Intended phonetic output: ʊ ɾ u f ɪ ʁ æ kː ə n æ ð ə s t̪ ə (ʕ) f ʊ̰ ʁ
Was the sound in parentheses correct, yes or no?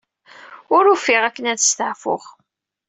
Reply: yes